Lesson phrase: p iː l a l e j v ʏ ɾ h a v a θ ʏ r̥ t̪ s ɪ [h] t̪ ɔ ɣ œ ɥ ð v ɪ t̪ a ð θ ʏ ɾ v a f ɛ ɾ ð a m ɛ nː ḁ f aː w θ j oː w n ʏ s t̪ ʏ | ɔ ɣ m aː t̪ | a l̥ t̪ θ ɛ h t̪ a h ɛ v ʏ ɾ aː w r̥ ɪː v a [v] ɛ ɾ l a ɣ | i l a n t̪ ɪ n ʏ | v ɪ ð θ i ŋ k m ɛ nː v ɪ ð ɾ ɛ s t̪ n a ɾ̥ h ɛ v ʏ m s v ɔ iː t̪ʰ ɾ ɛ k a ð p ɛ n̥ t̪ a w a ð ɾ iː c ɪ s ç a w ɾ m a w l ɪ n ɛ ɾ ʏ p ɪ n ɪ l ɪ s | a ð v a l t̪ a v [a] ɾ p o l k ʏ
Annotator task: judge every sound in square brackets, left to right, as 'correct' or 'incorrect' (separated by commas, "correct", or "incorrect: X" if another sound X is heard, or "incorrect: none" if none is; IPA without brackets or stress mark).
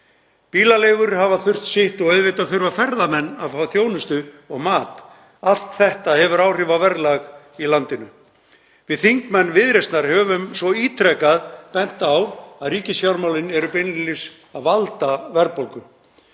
correct, correct, incorrect: ɛ